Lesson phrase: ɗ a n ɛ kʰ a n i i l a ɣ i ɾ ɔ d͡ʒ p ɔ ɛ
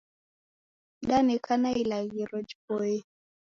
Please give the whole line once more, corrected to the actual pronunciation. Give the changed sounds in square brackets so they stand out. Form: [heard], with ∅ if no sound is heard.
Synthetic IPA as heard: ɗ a n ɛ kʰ a n [a] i l a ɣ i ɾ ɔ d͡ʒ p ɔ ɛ